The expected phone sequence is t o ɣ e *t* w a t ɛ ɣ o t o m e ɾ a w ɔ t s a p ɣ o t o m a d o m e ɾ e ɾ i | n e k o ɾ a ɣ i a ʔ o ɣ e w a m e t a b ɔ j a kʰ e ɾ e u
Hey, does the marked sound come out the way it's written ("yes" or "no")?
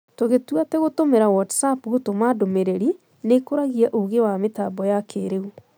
yes